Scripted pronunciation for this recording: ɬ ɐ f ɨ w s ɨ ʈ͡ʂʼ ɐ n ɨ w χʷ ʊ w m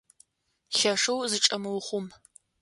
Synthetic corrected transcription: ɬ ɐ ʂ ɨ w z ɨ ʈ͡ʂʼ ɐ m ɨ w χʷ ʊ m

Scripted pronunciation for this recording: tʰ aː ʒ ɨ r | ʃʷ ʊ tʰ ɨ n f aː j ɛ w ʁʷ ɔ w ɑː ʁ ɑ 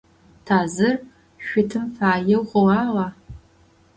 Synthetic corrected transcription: tʰ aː z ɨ r | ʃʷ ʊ tʰ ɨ m f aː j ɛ w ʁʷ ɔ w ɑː ʁ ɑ

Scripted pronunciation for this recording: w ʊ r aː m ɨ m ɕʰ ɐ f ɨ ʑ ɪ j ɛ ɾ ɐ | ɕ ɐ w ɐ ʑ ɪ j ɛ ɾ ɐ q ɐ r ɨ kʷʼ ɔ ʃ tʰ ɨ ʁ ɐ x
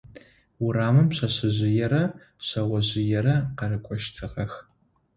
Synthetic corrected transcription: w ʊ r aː m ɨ m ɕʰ ɐ ɕ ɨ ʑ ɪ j ɛ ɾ ɐ | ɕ ɐ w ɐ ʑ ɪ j ɛ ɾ ɐ q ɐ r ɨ kʷʼ ɔ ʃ tʰ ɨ ʁ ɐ x

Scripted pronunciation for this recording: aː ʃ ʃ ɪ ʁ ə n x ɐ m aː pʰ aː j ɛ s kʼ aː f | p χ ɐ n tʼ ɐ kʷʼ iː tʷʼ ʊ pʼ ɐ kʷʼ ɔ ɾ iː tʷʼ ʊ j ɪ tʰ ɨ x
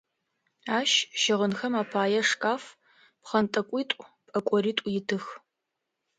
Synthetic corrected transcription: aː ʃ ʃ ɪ ʁ ə n x ɐ m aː pʰ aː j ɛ ʂ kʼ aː f | p χ ɐ n tʼ ɐ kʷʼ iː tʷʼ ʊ pʼ ɐ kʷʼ ɔ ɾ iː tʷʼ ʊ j ɪ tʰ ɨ x

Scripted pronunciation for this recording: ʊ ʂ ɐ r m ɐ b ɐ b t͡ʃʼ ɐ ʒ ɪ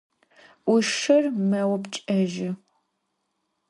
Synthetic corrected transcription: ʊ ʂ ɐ r m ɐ w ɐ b t͡ʃʼ ɐ ʒ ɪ

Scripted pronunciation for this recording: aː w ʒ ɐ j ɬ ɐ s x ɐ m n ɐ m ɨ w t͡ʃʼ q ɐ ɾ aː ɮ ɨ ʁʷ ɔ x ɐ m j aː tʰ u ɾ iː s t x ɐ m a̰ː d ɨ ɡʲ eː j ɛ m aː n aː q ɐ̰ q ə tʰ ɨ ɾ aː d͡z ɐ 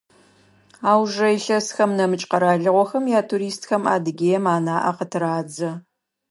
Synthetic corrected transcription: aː w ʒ ɐ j ɬ ɐ s x ɐ m n ɐ m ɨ t͡ʃʼ q ɐ ɾ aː ɮ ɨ ʁʷ ɔ x ɐ m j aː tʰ u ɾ iː s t x ɐ m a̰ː d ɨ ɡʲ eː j ɛ m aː n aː ʔ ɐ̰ q ə tʰ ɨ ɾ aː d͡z ɐ

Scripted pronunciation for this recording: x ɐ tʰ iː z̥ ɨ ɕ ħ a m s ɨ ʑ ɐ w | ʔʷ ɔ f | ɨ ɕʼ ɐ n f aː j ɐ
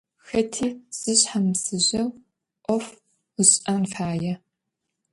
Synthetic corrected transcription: x ɐ tʰ iː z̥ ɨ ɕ ħ a m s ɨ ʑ ɐ w | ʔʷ ɔ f | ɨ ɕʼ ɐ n f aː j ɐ

